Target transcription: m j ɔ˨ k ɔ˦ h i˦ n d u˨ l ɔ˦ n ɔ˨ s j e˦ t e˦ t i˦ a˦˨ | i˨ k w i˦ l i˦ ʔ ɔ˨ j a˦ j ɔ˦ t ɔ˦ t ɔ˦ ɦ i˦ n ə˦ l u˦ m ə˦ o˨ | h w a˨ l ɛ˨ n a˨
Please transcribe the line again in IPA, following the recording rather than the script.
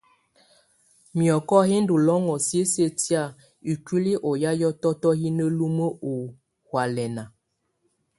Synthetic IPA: m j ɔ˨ k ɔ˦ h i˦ n d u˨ l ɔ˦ ŋ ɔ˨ s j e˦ s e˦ t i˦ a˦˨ | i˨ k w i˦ l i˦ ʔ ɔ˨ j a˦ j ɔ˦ t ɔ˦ t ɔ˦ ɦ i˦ n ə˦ l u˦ m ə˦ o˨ | h w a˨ l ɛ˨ n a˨